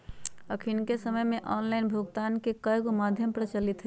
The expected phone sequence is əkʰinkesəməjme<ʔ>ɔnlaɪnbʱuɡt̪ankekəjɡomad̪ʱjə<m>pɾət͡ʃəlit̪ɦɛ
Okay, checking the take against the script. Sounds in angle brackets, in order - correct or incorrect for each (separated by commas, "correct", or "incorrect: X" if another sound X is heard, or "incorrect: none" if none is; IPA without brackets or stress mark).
correct, correct